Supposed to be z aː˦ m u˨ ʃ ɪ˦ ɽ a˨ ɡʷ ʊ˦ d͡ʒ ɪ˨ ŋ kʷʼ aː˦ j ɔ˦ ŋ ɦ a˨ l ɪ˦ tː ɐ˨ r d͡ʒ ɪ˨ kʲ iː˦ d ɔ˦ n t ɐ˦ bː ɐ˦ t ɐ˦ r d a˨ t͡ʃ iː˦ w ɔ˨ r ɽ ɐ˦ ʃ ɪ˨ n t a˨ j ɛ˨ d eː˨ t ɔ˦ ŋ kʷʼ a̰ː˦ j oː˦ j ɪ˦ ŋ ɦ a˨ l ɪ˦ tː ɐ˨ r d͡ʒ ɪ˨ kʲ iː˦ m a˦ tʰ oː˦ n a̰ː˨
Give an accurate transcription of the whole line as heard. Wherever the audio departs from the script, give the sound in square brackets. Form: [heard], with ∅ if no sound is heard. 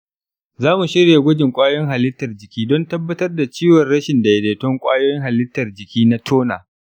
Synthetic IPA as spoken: z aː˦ m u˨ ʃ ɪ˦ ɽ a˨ ɡʷ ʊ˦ d͡ʒ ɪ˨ ŋ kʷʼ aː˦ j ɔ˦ ŋ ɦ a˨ l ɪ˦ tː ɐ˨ r d͡ʒ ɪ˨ kʲ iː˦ d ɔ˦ n t ɐ˦ bː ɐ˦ t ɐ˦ r d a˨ t͡ʃ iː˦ w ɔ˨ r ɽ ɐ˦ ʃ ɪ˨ n [d] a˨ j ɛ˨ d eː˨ t ɔ˦ ŋ kʷʼ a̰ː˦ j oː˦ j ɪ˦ ŋ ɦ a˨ l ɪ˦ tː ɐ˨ r d͡ʒ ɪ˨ kʲ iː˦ [n] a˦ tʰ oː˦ n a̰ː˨